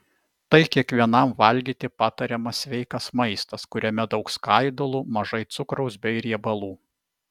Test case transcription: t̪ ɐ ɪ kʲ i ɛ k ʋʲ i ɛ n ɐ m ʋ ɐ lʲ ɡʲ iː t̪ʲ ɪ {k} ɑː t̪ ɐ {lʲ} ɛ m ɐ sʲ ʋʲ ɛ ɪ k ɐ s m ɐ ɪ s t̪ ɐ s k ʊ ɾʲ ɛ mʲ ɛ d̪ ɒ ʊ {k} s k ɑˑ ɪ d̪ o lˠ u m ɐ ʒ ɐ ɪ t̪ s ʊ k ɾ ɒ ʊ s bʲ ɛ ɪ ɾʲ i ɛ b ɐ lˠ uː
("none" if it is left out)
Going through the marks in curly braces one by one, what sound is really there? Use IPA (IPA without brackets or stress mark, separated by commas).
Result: p, ɾʲ, k